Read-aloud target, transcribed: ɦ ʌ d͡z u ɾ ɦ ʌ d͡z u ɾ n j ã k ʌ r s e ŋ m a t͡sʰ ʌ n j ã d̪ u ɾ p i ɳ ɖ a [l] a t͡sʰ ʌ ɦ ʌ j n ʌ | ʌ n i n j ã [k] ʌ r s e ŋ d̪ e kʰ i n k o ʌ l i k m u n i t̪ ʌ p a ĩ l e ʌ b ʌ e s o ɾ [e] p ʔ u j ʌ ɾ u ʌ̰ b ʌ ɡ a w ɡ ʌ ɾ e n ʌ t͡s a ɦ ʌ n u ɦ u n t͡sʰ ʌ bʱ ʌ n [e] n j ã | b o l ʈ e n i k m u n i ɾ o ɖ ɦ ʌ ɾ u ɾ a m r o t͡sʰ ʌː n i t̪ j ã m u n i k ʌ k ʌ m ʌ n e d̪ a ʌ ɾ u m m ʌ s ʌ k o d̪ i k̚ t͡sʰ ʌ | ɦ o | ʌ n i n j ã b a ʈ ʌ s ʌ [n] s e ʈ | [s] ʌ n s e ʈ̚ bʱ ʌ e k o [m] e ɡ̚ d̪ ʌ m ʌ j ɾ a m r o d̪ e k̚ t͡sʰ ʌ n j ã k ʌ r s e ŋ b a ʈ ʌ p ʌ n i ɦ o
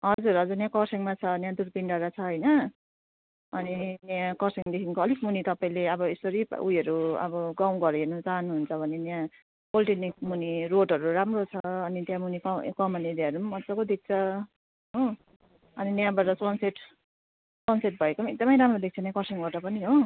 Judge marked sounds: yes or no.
no, yes, no, yes, yes, yes, yes

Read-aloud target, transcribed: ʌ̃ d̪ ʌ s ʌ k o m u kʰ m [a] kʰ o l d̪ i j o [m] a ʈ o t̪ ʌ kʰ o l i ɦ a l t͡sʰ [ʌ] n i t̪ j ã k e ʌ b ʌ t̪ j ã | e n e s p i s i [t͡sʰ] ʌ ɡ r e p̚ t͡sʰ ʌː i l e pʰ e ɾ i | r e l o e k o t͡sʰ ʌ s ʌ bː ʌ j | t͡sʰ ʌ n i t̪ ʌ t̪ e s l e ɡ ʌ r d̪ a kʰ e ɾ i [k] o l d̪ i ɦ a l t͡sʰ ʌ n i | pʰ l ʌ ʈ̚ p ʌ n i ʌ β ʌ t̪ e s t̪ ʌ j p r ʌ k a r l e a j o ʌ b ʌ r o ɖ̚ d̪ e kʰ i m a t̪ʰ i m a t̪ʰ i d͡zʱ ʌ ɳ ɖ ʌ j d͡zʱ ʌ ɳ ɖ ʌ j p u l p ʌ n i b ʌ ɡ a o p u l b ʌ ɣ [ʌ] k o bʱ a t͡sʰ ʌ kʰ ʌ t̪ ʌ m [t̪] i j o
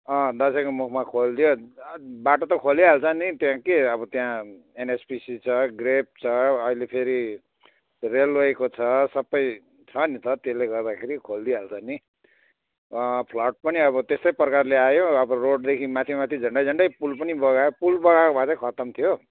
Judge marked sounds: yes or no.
yes, no, yes, yes, no, no, no

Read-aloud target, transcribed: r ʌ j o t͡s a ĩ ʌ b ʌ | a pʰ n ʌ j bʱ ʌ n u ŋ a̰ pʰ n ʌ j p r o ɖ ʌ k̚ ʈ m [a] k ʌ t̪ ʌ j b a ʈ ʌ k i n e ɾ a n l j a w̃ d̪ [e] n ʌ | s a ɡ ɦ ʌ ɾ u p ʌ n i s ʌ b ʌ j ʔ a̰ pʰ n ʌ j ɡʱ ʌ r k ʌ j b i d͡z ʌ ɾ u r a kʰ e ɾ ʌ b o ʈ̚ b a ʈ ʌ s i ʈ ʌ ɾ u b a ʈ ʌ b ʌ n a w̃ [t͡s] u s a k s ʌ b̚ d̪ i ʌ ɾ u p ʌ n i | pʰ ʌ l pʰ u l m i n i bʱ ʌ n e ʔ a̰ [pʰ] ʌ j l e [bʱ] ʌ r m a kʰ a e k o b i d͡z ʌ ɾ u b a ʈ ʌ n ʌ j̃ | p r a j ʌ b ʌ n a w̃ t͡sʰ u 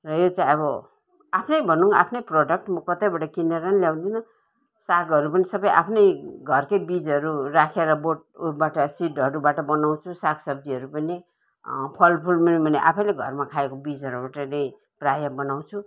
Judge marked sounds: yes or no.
no, no, no, yes, no

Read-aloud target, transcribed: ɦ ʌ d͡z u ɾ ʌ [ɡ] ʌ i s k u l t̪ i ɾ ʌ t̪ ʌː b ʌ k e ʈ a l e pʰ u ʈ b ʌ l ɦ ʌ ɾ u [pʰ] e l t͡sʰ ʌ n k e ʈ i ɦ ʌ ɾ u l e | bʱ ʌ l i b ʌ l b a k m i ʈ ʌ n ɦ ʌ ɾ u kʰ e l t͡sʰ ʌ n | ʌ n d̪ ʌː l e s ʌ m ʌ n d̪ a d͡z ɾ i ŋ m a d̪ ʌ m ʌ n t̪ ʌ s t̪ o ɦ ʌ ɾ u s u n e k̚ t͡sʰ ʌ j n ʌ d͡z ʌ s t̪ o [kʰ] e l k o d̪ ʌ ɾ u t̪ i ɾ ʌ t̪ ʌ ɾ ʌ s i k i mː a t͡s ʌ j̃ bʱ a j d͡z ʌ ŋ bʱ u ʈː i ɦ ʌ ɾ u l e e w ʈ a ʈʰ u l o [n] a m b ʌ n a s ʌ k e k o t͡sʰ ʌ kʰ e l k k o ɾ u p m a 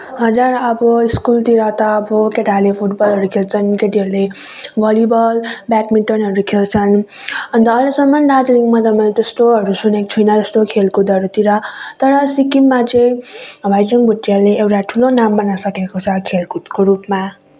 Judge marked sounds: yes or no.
no, no, yes, yes

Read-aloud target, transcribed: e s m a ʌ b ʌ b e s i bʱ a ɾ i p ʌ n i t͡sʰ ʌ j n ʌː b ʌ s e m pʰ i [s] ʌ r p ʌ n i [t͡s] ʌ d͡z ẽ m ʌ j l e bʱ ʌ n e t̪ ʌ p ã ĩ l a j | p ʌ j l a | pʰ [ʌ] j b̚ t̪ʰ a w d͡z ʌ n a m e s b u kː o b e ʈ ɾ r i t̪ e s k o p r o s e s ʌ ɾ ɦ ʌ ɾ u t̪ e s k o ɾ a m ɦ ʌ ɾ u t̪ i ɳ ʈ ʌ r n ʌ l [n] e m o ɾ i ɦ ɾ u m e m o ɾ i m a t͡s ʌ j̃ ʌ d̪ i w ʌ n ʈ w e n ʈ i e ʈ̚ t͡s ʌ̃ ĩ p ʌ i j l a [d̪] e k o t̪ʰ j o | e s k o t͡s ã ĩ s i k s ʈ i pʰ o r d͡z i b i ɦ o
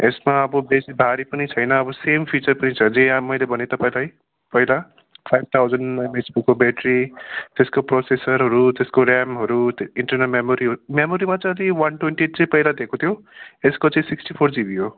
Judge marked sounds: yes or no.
no, no, no, no, yes

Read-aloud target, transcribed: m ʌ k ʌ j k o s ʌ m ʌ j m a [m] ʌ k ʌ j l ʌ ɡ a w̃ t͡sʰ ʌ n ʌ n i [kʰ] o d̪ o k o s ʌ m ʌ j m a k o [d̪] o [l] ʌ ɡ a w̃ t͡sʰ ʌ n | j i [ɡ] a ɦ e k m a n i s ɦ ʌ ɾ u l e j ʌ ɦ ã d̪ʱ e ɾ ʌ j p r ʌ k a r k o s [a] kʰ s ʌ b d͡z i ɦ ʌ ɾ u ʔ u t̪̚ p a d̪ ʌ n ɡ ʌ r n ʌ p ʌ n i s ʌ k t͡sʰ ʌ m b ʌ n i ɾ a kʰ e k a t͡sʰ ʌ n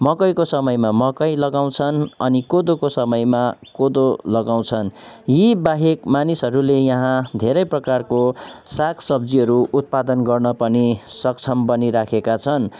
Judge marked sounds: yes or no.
yes, no, yes, yes, no, yes

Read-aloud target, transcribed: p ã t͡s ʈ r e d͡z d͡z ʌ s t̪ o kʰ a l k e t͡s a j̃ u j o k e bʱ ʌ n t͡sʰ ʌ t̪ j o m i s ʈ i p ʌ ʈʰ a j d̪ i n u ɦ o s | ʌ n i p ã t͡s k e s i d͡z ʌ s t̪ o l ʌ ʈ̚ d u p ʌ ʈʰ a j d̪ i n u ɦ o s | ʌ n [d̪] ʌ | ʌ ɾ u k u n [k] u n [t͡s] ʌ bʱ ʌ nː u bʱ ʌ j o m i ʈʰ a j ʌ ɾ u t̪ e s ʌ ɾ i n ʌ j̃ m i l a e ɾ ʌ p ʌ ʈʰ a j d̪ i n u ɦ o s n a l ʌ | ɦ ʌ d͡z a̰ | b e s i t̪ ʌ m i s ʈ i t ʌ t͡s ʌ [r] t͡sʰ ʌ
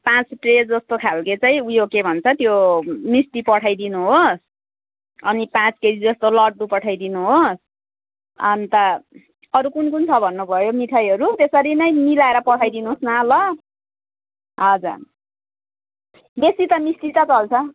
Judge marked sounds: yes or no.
no, yes, no, no

